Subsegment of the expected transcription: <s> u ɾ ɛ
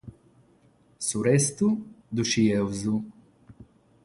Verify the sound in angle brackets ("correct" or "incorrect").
correct